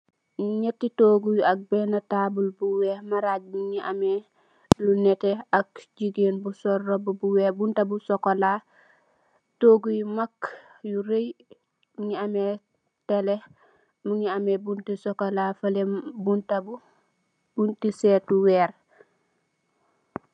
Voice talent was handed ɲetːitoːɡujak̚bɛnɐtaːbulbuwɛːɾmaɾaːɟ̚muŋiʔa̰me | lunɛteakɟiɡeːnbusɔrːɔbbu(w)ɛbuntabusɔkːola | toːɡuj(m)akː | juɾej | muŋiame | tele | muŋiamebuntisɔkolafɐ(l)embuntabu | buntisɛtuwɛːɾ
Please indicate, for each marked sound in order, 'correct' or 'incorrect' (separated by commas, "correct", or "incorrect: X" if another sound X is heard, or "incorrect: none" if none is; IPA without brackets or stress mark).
correct, correct, correct